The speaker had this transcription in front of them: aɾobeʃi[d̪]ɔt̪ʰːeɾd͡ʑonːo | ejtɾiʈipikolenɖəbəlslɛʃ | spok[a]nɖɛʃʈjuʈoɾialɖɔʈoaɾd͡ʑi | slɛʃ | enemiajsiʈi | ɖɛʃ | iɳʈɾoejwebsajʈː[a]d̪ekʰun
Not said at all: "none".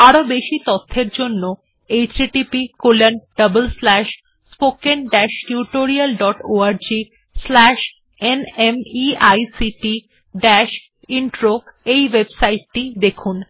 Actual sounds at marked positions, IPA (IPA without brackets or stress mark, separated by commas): t̪, e, i